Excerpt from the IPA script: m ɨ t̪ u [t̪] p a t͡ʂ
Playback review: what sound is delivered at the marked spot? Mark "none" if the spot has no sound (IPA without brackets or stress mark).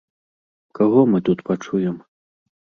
t̪